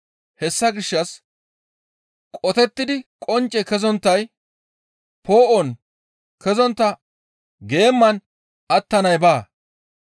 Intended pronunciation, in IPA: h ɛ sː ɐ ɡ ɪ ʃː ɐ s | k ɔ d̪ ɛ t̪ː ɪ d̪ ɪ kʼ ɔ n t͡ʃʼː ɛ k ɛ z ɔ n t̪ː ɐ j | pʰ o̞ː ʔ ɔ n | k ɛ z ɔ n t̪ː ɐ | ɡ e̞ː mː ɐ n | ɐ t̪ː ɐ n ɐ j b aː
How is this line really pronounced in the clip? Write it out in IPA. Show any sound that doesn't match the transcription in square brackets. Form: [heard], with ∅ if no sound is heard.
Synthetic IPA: h ɛ sː ɐ ɡ ɪ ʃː ɐ s | [kʼ] ɔ [t̪] ɛ t̪ː ɪ d̪ ɪ kʼ ɔ n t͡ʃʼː ɛ k ɛ z ɔ n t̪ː ɐ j | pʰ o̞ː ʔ ɔ n | k ɛ z ɔ n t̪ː ɐ | ɡ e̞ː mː ɐ n | ɐ t̪ː ɐ n ɐ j b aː